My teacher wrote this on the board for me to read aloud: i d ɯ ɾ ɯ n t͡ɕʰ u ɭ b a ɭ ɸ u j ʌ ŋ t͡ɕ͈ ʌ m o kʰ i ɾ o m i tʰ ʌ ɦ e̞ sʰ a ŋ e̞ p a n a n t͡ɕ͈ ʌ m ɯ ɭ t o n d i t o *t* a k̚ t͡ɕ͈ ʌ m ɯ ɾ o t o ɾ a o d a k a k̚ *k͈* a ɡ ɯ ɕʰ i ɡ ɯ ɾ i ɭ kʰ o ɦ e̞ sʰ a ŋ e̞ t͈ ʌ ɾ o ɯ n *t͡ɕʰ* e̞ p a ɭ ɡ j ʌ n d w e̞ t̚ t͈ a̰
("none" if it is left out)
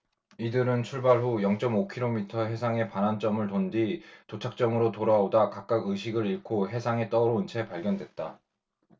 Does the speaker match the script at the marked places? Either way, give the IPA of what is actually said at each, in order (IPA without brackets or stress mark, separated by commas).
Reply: t͡ɕʰ, k͈, t͡ɕʰ